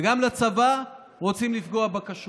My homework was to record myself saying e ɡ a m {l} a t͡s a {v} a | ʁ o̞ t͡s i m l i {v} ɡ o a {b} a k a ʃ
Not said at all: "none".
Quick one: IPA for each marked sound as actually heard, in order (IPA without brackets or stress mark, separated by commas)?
l, v, f, b